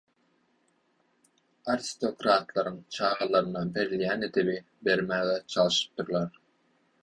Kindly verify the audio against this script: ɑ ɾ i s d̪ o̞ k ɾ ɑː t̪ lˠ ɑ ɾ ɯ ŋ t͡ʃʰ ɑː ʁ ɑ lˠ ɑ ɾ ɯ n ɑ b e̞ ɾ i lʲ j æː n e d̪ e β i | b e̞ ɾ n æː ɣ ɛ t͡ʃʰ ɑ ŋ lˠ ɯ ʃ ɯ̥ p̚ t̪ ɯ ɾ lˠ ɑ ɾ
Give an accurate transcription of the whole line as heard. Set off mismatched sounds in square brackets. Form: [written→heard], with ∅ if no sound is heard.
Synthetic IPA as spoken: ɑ ɾ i s [d̪→t̪] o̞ k ɾ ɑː t̪ lˠ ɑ ɾ ɯ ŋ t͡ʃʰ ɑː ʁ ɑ lˠ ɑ ɾ ɯ n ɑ b e̞ ɾ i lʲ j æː n e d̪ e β i | b e̞ ɾ [n→m] æː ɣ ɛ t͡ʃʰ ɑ [ŋ→∅] lˠ ɯ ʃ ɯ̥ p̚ t̪ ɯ ɾ lˠ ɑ ɾ